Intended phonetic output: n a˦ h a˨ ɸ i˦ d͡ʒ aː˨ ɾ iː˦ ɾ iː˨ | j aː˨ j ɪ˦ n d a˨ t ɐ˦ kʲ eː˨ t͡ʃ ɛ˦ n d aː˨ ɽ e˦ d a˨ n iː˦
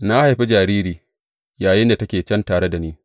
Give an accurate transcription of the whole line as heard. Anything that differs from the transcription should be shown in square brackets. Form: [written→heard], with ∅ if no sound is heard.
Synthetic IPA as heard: n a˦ h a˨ ɸ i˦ d͡ʒ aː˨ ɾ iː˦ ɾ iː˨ | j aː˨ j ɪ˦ n d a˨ t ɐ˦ kʲ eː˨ t͡ʃ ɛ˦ n [d→t] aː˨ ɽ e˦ d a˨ n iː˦